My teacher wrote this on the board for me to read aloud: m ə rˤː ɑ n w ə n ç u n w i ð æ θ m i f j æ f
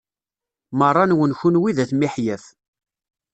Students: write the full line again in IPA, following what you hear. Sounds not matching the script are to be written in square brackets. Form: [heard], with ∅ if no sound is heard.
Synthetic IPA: m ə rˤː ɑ n w ə n ç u n w i ð æ θ m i [ħ] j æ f